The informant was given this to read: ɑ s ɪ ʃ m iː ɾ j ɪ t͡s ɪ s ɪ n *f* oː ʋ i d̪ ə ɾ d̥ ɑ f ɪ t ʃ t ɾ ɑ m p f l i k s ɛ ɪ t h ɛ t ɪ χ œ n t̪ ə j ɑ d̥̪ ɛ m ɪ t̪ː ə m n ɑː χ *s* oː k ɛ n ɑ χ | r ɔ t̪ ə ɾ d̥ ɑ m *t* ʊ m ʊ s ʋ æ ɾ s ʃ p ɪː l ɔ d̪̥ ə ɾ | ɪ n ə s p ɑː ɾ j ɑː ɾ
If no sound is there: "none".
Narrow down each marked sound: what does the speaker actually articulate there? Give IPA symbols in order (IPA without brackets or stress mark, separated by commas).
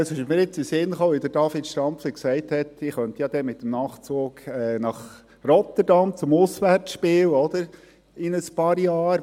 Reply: χ, t͡s, t͡s